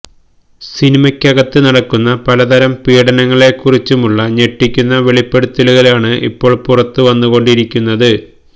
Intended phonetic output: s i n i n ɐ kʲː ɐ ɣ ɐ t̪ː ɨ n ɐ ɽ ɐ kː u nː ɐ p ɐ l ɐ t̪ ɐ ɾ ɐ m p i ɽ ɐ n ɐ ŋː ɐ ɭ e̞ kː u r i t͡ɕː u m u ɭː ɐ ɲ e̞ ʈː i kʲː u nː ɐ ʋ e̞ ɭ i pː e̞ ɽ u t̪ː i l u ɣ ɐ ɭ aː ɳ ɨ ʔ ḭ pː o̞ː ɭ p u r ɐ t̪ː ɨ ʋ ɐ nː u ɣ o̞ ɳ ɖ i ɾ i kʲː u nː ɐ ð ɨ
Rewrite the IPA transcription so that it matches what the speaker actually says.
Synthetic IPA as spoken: s i n i m ɐ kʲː ɐ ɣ ɐ t̪ː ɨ n ɐ ɽ ɐ kː u nː ɐ p ɐ l ɐ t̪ ɐ ɾ ɐ m p iː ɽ ɐ n ɐ ŋː ɐ ɭ e̞ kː u r i t͡ɕː u m u ɭː ɐ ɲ e̞ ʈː i kʲː u nː ɐ ʋ e̞ ɭ i pː e̞ ɽ u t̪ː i l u ɣ ɐ l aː ɳ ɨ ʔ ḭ pː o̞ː ɭ p u r ɐ t̪ː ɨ ʋ ɐ nː u ɣ o̞ ɳ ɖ i ɾ i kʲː u nː ɐ ð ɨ